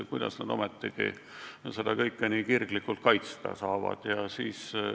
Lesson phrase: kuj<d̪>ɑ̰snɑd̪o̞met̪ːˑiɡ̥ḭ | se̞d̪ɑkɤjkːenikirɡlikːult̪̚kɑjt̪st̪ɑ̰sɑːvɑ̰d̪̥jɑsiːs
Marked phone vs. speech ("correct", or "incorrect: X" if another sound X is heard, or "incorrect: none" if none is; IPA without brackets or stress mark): correct